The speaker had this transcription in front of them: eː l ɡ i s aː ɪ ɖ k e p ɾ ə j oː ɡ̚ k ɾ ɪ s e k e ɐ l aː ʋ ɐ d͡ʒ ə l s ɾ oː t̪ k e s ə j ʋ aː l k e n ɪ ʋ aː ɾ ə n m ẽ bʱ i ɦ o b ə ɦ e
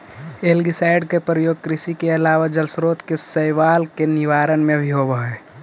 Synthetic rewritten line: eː l ɡ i s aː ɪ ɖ k e p ɾ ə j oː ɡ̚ k ɾ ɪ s i k e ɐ l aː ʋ a d͡ʒ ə l s ɾ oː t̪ k e s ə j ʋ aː l k e n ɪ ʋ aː ɾ ə n m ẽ bʱ i ɦ o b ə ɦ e